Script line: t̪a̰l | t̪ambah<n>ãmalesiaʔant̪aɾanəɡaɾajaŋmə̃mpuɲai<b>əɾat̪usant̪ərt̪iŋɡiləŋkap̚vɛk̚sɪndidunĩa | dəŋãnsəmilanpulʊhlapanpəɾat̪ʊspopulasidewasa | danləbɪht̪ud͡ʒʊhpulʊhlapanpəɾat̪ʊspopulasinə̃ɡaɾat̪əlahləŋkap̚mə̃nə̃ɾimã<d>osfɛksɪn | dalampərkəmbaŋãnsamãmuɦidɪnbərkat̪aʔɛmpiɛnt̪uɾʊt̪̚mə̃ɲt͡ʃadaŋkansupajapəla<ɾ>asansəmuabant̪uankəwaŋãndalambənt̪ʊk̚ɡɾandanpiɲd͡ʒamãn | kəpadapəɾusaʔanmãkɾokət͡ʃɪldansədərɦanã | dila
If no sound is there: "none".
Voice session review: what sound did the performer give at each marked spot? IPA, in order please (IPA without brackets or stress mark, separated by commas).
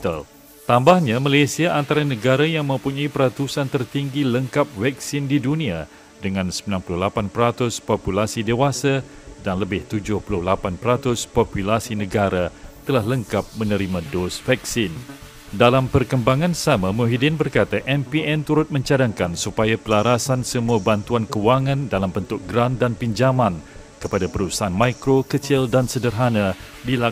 ɲ, p, d, ɾ